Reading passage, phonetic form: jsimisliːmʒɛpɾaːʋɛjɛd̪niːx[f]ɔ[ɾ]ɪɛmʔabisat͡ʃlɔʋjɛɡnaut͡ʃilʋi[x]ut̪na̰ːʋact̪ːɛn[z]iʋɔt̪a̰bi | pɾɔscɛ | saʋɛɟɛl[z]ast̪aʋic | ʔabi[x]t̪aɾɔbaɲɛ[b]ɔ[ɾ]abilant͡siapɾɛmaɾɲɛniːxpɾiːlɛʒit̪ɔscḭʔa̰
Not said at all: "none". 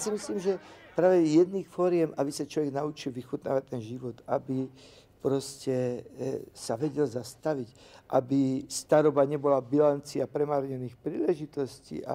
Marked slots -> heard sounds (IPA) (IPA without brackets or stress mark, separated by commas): f, ɾ, x, ʒ, z, s, b, l